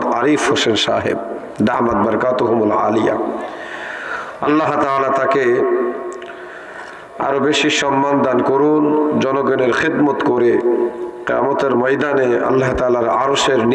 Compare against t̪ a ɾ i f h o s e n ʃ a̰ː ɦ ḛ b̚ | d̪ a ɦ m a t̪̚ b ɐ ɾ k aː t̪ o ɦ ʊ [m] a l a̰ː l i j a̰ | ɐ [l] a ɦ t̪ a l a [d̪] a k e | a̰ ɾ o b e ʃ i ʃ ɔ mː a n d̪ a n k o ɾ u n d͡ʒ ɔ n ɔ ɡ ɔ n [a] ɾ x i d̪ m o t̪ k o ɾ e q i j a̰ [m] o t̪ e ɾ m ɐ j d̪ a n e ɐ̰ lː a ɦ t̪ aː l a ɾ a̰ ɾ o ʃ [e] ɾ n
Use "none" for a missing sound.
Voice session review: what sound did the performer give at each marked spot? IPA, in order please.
m, lː, t̪, e, m, e

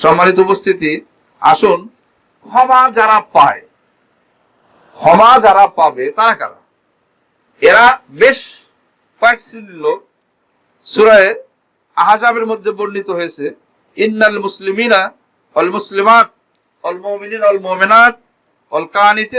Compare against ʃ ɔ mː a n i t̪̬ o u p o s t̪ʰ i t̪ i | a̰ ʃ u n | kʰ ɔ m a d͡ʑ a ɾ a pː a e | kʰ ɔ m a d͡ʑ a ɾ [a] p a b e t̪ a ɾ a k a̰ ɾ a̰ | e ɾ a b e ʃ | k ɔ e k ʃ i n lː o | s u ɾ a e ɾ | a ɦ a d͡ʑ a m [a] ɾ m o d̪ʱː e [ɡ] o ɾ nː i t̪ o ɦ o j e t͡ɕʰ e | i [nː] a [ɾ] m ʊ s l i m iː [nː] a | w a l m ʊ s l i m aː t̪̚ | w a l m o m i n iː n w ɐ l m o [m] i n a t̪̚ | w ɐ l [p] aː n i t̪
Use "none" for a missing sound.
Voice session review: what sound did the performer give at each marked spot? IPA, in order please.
a, e, b, nː, l, n, m, k

